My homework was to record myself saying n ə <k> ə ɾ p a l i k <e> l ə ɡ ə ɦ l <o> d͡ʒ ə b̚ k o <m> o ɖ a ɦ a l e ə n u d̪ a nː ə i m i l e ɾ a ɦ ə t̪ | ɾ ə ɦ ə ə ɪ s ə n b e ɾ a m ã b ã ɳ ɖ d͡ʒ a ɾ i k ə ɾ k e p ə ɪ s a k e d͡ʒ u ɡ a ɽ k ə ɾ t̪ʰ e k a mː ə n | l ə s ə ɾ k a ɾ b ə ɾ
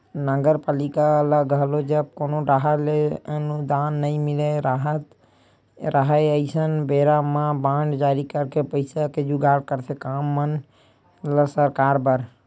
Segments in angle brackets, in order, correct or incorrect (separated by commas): incorrect, incorrect, correct, incorrect